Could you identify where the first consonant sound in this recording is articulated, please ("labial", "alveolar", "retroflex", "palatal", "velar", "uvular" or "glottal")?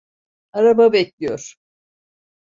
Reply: alveolar